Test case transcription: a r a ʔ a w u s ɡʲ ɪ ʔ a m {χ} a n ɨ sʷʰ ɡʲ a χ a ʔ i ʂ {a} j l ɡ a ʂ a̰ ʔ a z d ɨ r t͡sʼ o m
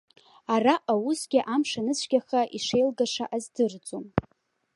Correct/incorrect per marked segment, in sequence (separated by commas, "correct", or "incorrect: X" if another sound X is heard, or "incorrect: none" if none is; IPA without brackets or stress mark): incorrect: ʂ, incorrect: e